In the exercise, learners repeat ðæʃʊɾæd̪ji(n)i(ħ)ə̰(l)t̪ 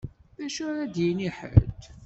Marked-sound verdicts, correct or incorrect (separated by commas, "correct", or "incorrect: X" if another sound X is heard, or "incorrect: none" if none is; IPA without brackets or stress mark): correct, correct, correct